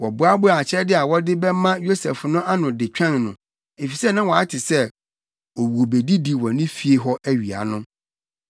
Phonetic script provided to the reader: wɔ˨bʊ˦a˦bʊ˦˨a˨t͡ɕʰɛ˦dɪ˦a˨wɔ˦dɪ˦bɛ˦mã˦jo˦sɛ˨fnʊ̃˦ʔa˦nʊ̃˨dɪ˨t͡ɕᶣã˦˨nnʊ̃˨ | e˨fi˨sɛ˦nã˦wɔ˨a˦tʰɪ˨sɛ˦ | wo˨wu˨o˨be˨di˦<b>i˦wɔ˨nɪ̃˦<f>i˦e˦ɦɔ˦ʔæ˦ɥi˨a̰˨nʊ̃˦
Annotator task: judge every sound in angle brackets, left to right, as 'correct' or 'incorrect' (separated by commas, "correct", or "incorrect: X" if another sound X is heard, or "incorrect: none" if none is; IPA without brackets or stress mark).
incorrect: d, correct